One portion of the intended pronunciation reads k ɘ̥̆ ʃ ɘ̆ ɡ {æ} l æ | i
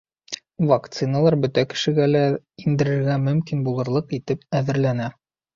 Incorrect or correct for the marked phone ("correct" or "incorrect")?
correct